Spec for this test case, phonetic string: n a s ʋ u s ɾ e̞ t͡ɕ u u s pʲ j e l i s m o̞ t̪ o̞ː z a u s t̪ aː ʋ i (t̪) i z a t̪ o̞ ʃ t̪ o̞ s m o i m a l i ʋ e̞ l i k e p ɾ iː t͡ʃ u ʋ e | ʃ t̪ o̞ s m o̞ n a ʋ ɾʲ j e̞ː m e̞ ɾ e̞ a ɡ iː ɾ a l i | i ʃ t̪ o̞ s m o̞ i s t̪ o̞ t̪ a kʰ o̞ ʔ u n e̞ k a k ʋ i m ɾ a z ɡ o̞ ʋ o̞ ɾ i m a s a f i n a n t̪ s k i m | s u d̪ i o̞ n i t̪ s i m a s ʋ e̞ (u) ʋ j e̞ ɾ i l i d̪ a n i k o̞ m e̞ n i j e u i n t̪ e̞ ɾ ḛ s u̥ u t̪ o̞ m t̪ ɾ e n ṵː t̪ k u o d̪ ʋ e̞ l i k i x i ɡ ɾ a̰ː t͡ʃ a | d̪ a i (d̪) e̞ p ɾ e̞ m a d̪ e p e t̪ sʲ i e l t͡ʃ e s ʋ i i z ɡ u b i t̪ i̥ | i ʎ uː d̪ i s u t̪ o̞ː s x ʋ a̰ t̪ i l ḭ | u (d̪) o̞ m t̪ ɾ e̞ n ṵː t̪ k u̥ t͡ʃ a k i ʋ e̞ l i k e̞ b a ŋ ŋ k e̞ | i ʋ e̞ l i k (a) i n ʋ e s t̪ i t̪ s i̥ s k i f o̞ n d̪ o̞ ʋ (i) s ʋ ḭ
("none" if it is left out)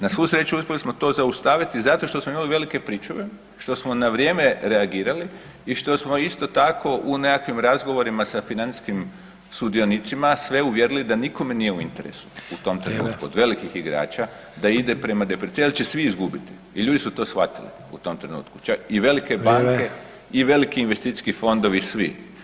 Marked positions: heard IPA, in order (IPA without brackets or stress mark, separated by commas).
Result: t̪, u, d̪, t̪, i, i